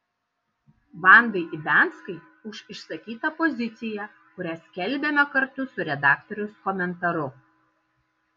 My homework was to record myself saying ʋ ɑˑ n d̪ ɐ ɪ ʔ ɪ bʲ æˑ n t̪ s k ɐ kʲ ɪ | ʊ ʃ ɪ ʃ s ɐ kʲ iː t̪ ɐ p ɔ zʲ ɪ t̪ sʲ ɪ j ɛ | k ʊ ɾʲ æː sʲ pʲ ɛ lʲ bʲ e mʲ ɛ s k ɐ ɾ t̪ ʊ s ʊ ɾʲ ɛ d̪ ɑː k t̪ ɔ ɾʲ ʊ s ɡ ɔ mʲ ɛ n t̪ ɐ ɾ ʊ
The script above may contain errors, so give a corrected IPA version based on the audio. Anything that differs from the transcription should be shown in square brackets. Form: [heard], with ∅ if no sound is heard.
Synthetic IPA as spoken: ʋ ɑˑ n d̪ ɐ ɪ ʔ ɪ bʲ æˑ n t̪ s k ɐ [∅] ɪ | ʊ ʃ ɪ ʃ s ɐ kʲ iː t̪ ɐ p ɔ zʲ ɪ t̪ sʲ ɪ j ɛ | k ʊ ɾʲ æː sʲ [kʲ] ɛ lʲ bʲ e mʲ ɛ [∅] k ɐ ɾ t̪ ʊ s ʊ ɾʲ ɛ d̪ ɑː k t̪ ɔ ɾʲ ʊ s [k] ɔ mʲ ɛ n t̪ ɐ ɾ ʊ